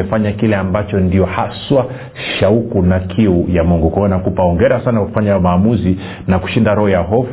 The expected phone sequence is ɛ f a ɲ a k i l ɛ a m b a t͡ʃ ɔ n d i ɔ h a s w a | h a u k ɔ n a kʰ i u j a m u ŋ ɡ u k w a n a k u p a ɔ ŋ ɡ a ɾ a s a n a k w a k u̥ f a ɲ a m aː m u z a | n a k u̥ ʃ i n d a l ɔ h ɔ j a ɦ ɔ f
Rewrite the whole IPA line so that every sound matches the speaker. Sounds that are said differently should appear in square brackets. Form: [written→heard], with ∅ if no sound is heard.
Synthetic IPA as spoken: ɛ f a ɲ a k i l ɛ a m b a t͡ʃ ɔ n d i ɔ h a s w a | [h→ʃ] a u k [ɔ→u] n a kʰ i u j a m u ŋ ɡ u k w a n a k u p a ɔ ŋ ɡ [a→ɛ] ɾ a s a n a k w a k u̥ f a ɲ a m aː m u z [a→i] | n a k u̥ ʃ i n d a [l→ɾ] ɔ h ɔ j a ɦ ɔ f